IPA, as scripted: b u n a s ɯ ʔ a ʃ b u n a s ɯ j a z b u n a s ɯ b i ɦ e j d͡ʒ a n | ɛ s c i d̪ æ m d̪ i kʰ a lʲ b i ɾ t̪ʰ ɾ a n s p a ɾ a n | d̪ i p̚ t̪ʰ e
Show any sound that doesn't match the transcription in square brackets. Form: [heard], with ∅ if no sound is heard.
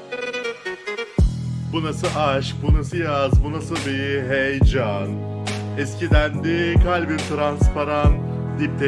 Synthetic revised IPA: b u n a s ɯ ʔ a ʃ b u n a s ɯ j a z b u n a s ɯ b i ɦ e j d͡ʒ a n | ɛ s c i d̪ æ [n] d̪ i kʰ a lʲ b i ɾ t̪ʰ ɾ a n s p a ɾ a n | d̪ i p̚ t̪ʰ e